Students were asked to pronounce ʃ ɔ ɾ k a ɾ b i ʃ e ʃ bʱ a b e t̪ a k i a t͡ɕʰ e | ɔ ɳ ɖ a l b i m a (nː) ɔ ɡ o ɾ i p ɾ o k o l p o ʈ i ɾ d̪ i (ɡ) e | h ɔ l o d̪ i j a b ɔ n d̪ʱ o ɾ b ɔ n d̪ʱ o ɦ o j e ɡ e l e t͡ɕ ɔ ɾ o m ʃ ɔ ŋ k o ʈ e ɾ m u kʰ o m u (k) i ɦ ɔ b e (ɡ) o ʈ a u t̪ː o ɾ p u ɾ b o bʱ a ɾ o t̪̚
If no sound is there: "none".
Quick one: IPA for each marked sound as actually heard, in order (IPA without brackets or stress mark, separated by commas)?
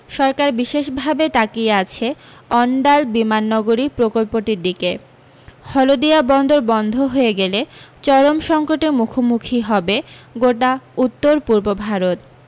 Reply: nː, k, kʰ, ɡ